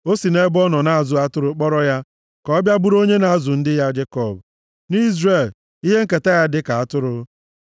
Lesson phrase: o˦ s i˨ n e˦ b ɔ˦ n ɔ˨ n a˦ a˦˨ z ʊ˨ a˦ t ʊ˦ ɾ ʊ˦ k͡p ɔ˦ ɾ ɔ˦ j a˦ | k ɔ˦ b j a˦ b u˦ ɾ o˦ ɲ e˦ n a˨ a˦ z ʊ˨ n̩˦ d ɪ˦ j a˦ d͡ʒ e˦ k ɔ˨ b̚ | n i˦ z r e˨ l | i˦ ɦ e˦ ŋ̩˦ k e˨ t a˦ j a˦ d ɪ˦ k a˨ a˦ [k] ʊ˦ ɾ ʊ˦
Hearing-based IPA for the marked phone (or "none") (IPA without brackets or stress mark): t